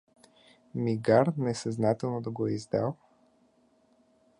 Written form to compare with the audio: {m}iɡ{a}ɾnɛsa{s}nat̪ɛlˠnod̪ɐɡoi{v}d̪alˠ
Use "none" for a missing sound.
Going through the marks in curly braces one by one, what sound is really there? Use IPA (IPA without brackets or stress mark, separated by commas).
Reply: m, a, z, z